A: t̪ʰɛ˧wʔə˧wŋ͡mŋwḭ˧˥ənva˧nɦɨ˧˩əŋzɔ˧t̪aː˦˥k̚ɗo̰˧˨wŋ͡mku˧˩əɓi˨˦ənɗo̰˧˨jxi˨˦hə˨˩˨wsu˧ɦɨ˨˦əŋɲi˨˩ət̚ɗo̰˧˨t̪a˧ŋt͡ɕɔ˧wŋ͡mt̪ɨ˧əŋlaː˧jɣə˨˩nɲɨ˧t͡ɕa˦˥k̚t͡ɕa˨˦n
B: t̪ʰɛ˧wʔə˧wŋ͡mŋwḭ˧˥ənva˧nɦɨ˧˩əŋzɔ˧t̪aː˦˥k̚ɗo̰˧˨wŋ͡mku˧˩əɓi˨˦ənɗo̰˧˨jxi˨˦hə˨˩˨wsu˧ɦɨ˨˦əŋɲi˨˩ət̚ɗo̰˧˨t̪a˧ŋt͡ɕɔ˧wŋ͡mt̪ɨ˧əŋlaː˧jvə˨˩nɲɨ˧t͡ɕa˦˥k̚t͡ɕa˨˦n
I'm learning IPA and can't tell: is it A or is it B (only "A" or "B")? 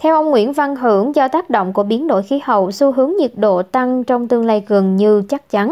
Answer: A